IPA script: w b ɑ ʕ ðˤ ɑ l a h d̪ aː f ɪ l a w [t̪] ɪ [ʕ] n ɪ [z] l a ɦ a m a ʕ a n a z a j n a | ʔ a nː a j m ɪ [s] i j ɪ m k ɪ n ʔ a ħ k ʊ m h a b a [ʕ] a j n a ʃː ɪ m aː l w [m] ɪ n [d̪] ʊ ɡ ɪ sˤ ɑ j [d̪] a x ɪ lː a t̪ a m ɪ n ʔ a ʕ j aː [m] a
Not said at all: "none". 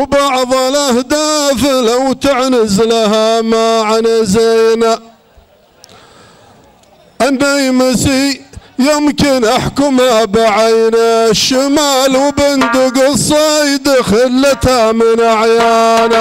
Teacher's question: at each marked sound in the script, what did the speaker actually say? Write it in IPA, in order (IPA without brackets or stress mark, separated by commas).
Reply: t̪, ʕ, z, s, ʕ, b, d̪, d̪, n